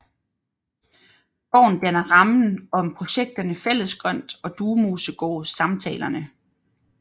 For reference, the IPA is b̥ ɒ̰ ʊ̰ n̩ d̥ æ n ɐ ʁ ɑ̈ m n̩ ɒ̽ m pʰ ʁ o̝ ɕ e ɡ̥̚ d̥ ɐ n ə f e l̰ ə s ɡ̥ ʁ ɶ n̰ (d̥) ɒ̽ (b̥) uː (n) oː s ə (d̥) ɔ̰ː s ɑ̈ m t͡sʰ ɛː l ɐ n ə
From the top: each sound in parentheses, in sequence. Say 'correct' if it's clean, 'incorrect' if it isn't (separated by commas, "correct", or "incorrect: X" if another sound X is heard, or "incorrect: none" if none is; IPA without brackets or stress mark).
correct, incorrect: d̥, incorrect: m, incorrect: ɡ̥